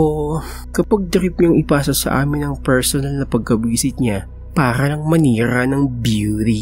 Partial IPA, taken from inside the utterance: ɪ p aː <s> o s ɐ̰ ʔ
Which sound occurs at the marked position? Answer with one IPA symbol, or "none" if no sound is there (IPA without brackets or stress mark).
s